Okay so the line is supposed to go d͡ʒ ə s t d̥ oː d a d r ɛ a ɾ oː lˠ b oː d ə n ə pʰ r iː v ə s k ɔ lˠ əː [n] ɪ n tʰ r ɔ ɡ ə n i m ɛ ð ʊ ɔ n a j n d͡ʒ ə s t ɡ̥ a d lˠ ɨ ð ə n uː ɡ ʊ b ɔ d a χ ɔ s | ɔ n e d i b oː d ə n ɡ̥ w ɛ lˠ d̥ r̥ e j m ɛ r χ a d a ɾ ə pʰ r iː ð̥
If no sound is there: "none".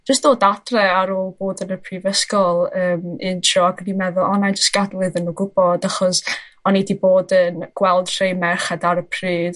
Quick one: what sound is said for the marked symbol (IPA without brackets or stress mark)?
m